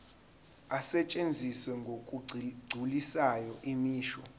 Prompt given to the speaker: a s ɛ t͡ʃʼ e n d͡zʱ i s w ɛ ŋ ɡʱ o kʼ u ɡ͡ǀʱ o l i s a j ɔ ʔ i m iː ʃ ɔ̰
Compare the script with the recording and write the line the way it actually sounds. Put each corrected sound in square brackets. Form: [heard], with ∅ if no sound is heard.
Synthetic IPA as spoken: a s ɛ t͡ʃʼ e n d͡zʱ i s w ɛ ŋ ɡʱ o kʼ u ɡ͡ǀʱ [u] l i s a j ɔ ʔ i m iː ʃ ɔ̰